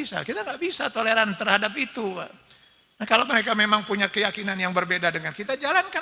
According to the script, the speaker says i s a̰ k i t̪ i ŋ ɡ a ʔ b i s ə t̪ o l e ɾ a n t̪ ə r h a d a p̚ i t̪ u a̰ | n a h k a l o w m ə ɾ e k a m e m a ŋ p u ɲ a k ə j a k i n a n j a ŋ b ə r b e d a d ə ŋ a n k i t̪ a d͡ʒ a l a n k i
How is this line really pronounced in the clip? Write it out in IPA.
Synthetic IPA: i s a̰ k i t̪ a ŋ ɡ a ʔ b i s a t̪ o l e ɾ a n t̪ ə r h a d a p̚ i t̪ u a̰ | n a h k a l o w m ə ɾ e k a m e m a ŋ p u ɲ a k ə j a k i n a n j a ŋ b ə r b e d a d ə ŋ a n k i t̪ a d͡ʒ a l a n k a